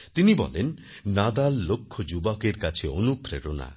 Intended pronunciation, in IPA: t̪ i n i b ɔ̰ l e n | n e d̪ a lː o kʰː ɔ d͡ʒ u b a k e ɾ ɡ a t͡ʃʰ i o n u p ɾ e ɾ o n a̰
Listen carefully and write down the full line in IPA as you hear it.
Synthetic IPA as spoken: t̪ i n i b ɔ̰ l e n | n a d̪ a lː o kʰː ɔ d͡ʒ u b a k e ɾ k a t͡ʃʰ i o n u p ɾ e ɾ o n a̰